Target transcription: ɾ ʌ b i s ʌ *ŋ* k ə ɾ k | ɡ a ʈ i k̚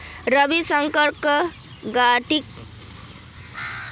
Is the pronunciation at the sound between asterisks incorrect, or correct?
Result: correct